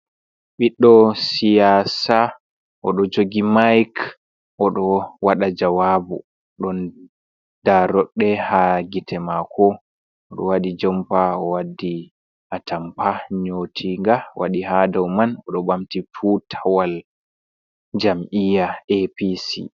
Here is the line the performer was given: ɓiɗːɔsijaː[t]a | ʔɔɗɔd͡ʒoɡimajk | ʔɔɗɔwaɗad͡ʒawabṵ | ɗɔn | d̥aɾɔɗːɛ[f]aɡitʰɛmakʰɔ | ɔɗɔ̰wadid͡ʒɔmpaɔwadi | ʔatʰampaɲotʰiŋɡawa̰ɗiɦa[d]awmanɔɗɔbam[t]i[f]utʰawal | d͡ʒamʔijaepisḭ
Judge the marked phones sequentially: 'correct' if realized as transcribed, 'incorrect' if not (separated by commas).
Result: incorrect, incorrect, correct, correct, correct